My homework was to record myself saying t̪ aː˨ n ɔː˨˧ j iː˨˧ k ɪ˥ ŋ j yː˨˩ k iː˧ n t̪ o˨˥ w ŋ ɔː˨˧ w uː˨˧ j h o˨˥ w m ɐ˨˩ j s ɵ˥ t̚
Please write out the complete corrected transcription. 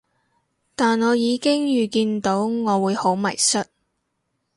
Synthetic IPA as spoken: t̪ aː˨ n ɔː˨˧ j iː˨˧ k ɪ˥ ŋ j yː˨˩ k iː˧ n t̪ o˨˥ w ŋ ɔː˨˧ w uː˨˧ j h o˨˥ w m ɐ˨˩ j s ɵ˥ t̚